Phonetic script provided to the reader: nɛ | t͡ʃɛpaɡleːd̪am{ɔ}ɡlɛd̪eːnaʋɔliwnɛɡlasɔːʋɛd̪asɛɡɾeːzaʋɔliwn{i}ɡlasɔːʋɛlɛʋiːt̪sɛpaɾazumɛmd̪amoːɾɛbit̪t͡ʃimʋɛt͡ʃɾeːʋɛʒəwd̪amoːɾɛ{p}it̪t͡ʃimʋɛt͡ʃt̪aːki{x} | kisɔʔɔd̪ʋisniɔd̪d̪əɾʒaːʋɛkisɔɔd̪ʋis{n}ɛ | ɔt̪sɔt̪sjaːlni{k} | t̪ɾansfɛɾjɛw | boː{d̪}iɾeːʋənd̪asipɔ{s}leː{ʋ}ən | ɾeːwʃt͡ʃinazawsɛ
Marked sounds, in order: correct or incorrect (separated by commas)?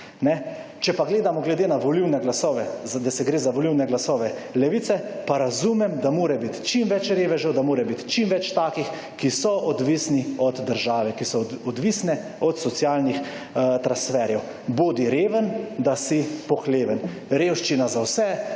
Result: correct, incorrect, incorrect, correct, correct, incorrect, correct, incorrect, correct